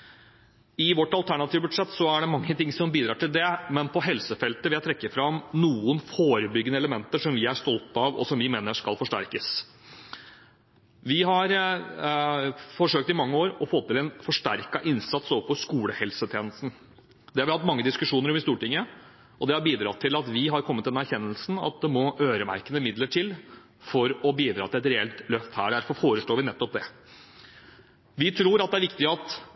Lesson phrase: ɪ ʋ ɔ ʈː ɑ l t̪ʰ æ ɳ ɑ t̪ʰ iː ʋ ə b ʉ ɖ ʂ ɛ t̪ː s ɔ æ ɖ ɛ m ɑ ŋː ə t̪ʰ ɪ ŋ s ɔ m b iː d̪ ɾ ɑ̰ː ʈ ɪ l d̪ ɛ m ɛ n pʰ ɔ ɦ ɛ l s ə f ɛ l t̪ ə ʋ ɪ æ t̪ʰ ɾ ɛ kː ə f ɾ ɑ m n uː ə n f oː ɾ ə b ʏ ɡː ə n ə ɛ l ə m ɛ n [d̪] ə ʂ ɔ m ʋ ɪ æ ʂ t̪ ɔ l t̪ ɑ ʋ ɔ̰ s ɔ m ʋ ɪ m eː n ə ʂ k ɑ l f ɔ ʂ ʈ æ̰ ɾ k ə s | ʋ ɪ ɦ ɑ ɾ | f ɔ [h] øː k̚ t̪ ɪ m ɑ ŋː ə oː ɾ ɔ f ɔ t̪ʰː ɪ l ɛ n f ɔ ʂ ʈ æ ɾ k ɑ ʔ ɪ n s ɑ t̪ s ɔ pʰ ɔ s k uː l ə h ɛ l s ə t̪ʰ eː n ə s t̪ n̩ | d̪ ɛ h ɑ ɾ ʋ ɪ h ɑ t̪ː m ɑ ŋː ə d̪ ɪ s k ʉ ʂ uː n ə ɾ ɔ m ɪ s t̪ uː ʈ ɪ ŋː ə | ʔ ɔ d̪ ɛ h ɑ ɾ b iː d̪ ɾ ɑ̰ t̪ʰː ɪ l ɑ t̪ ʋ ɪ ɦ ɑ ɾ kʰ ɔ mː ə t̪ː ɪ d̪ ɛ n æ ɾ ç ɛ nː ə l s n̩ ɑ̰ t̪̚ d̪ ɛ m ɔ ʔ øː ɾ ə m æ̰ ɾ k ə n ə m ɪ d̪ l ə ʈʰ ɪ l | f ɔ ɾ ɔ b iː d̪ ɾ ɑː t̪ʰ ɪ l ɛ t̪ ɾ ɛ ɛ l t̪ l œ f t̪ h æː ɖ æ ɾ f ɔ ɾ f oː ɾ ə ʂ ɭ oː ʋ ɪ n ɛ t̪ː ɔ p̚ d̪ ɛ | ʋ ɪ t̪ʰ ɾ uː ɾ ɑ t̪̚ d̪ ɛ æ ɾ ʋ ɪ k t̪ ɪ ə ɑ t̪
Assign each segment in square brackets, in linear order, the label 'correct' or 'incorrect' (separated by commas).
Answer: incorrect, incorrect